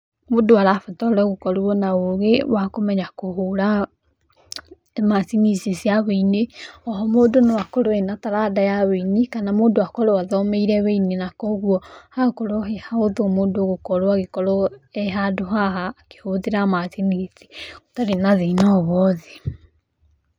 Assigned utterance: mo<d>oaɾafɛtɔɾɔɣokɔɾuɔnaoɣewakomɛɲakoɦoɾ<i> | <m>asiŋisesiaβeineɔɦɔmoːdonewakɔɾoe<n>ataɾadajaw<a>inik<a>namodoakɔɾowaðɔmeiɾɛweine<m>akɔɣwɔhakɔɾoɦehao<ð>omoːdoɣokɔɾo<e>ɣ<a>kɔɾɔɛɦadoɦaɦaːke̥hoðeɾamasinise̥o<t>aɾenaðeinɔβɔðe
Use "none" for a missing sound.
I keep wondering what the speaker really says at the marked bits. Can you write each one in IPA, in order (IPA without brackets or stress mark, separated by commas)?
d, a, m, n, e, a, n, ð, a, e, t